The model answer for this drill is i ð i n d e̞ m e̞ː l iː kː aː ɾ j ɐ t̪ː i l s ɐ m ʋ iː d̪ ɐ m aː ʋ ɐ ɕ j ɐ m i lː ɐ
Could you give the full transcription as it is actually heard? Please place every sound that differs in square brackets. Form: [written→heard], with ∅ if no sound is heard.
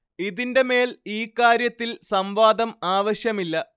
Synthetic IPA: i ð i n d e̞ m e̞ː l iː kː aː ɾ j ɐ t̪ː i l s ɐ m ʋ [iː→aː] d̪ ɐ m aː ʋ ɐ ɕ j ɐ m i lː ɐ